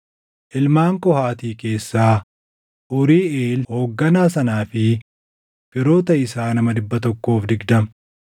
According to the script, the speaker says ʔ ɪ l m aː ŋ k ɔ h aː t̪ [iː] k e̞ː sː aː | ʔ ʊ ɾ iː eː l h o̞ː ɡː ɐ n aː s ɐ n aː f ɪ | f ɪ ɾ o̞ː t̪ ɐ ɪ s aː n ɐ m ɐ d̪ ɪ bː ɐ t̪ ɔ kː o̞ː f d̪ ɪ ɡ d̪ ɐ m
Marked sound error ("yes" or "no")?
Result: no